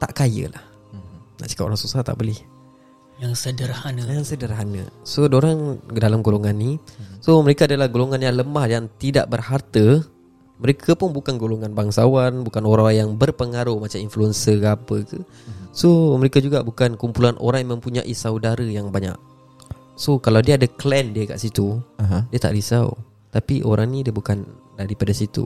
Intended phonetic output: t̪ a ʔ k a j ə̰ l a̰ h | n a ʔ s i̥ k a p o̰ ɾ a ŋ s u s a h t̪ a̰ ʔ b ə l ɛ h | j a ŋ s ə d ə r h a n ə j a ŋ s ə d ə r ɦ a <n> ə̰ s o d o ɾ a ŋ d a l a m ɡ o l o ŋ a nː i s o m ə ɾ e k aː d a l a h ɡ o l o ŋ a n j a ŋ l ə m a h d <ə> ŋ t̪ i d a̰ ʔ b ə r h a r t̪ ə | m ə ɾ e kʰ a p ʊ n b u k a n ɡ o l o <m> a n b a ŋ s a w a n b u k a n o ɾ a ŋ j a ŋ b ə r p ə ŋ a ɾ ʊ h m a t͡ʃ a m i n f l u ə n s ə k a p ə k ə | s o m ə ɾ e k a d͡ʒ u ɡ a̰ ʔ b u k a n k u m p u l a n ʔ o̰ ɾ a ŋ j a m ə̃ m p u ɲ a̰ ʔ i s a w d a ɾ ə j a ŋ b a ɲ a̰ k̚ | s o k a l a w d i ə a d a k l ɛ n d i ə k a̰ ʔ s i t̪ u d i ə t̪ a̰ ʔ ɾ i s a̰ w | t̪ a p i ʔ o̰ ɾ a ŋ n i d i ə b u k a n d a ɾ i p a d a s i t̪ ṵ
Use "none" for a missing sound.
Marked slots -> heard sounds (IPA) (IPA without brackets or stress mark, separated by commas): n, a, ŋ